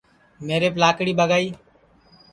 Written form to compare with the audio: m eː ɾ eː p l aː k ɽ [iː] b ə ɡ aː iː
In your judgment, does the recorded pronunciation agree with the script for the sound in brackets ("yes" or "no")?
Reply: yes